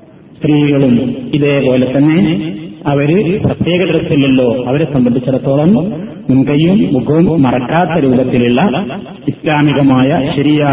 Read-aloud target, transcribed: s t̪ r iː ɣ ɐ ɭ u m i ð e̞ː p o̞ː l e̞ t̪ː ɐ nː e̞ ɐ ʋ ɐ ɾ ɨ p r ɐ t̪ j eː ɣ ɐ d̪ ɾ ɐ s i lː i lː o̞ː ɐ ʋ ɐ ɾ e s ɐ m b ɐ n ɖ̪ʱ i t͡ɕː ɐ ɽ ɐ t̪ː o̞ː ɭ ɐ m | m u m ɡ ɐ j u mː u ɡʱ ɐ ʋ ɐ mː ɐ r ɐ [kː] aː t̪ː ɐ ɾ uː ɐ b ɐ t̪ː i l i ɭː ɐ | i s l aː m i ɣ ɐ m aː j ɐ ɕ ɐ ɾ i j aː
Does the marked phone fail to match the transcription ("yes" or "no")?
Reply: no